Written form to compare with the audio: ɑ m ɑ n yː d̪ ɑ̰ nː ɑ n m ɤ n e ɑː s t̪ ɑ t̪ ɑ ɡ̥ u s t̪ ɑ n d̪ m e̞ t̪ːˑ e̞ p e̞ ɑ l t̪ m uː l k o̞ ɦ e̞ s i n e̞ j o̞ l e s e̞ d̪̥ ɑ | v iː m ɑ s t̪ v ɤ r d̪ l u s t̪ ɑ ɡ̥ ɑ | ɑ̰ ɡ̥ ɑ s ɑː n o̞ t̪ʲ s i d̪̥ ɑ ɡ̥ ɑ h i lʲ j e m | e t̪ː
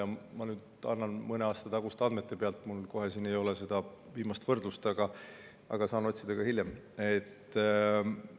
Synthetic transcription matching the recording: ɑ m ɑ n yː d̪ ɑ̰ nː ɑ n m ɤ n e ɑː s t̪ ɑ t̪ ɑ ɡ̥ u s t̪ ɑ n d̪ m e̞ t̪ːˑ e̞ p e̞ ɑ l t̪ m u l k o̞ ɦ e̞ s i n e̞ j o̞ l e s e̞ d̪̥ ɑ | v iː m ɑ s t̪ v ɤ r d̪ l u s t̪ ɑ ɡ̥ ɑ | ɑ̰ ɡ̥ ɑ s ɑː n o̞ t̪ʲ s i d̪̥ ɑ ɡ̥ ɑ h i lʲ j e m | e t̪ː